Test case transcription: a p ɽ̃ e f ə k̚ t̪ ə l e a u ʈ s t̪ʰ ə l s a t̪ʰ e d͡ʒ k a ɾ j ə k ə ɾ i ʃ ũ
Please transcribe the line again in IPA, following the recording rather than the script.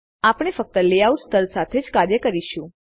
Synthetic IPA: a p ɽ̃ e f ə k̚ t̪ ə l e a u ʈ s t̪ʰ ə l s a t̪ʰ e d͡ʒ k a ɾ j ə k ə ɾ i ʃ ũ